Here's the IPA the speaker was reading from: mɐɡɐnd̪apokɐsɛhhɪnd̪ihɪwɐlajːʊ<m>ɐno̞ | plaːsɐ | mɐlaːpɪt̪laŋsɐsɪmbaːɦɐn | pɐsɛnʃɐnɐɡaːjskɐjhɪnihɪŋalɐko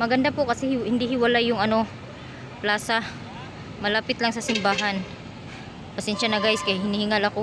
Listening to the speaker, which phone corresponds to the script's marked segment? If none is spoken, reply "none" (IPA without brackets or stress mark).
ŋ